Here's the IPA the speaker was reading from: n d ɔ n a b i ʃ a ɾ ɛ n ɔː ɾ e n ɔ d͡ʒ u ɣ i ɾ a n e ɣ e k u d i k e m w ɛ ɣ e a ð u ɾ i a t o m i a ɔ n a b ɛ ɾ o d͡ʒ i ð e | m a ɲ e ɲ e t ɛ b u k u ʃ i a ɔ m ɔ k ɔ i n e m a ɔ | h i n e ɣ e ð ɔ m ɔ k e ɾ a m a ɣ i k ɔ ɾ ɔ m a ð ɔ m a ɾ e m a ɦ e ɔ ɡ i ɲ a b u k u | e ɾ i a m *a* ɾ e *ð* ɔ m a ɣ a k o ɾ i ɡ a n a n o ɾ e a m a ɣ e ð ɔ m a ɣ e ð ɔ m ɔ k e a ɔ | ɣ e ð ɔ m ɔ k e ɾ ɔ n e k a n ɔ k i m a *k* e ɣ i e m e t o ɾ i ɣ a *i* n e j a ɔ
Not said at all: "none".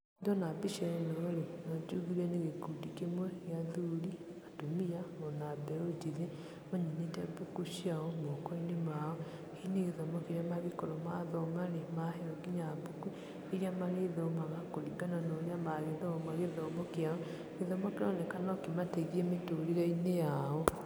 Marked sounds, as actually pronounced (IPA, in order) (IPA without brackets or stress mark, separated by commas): a, ð, t, i